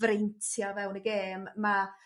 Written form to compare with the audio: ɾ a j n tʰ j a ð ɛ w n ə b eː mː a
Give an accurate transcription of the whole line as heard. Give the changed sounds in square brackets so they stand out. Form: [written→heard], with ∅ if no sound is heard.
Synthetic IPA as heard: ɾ [a→e] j n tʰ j a [ð→v] ɛ w n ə [b→ɡ] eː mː a

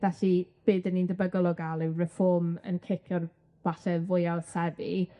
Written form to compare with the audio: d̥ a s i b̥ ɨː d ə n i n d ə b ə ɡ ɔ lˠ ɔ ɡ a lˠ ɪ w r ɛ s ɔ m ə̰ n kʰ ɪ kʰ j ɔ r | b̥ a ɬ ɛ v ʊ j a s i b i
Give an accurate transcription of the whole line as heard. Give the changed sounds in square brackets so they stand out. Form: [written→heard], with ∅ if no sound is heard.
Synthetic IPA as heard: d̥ a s i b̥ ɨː d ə n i n d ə b ə ɡ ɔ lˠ ɔ ɡ a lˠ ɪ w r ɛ [s→f] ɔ m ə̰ n kʰ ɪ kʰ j ɔ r | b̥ a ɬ ɛ v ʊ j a s [i→ɛ] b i

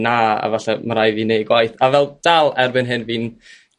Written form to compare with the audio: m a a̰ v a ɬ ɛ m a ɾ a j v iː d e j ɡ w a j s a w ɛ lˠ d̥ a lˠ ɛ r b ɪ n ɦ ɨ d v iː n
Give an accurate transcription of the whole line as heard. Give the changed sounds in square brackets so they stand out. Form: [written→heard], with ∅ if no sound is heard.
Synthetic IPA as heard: [m→n] a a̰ v a ɬ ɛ m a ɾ a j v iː [d→n] e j ɡ w a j [s→θ] a [w→v] ɛ lˠ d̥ a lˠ ɛ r b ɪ n ɦ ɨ [d→n] v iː n

